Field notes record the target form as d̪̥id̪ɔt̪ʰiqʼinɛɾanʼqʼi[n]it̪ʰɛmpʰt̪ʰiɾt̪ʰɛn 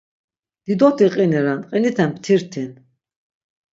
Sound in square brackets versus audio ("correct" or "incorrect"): correct